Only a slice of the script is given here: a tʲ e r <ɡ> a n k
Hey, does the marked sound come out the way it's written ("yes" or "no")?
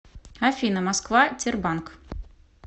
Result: no